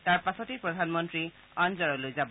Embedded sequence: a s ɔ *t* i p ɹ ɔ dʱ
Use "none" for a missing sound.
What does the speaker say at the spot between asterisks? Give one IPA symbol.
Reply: t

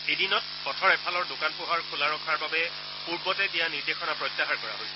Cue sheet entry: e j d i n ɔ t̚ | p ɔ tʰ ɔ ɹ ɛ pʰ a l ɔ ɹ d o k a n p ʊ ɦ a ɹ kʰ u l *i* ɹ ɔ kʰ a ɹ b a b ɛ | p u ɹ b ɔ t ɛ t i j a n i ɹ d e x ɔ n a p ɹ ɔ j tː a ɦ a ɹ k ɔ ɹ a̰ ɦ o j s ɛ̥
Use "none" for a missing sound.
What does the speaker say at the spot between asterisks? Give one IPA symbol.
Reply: a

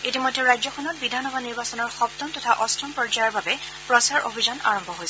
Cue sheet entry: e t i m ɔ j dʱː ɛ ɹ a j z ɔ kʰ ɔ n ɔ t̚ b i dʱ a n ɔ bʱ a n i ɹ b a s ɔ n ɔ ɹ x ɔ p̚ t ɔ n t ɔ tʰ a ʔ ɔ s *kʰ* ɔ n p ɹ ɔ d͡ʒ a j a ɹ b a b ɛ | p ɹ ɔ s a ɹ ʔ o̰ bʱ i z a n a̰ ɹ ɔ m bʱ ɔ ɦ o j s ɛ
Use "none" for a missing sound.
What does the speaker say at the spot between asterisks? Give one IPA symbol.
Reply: tʰ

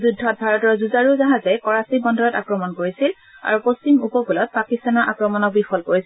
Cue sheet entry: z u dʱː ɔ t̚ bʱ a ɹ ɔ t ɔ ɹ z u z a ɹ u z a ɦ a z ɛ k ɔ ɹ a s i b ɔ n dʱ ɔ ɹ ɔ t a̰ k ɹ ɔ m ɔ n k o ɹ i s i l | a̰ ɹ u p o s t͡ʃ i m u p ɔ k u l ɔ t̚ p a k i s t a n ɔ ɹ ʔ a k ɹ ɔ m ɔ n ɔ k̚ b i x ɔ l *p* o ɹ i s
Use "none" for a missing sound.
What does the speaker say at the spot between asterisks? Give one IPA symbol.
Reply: k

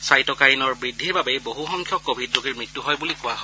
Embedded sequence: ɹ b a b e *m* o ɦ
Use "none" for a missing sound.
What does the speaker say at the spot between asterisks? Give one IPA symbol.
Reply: b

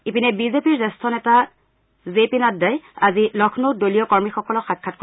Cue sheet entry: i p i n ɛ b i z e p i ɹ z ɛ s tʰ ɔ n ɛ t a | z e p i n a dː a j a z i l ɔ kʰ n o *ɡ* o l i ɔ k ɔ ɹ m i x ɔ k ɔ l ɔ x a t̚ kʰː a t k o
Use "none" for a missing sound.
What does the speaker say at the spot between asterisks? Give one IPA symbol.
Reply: d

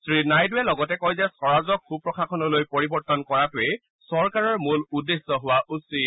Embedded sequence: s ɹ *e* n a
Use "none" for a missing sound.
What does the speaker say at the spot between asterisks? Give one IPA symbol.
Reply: i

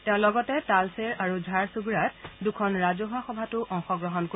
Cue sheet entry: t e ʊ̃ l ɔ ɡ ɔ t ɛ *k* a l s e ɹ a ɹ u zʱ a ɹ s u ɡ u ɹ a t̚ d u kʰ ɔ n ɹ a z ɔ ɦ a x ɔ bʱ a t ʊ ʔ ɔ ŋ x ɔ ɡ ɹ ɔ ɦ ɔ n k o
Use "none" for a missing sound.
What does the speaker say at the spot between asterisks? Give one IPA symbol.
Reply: t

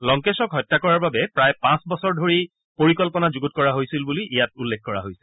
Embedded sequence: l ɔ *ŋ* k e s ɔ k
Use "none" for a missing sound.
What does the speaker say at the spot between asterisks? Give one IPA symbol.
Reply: ŋ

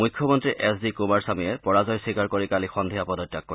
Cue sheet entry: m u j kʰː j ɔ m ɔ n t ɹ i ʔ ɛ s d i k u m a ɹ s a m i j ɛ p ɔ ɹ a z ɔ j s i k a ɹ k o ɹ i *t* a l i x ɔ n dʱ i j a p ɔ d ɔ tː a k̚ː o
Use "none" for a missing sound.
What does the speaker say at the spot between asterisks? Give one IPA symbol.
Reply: k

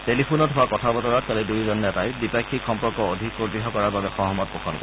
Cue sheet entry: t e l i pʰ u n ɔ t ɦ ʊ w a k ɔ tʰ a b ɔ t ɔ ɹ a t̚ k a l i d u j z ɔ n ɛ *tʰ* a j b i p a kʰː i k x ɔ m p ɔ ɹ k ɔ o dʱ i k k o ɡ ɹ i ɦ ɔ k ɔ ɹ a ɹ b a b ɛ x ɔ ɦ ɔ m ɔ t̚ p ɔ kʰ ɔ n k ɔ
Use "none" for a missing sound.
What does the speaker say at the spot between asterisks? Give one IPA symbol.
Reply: t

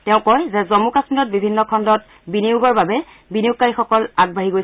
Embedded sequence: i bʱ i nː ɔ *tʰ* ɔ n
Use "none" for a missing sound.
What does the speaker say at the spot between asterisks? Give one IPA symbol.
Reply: kʰ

